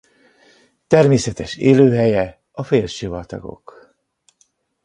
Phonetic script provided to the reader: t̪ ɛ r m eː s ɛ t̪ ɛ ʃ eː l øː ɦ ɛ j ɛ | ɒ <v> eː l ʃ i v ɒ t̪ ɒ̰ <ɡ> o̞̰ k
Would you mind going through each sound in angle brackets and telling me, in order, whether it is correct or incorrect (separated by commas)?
incorrect, correct